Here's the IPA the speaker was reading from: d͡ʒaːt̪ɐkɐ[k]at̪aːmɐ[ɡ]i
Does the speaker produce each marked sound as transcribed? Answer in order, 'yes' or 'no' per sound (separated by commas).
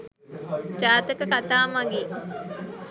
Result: yes, yes